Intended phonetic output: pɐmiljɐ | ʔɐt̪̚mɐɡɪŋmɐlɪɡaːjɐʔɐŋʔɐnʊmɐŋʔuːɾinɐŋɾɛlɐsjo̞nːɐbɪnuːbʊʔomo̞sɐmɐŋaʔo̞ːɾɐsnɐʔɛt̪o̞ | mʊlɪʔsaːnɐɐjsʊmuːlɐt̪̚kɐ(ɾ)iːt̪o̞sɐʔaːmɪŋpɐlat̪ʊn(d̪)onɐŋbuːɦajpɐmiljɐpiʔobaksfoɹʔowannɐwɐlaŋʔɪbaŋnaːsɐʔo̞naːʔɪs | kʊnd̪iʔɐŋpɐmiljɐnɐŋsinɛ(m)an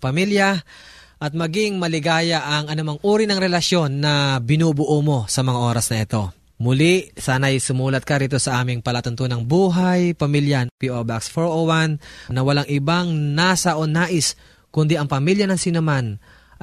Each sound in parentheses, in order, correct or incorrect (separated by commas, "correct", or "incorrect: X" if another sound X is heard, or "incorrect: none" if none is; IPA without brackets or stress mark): correct, incorrect: t̪, correct